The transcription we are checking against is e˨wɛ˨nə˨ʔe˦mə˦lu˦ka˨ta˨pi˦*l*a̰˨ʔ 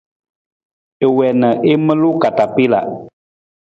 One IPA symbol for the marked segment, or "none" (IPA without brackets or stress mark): l